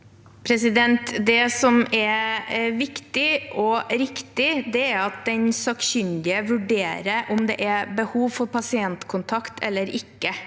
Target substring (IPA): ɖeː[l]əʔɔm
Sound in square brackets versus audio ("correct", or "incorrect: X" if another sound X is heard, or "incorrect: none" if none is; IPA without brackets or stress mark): incorrect: ɾ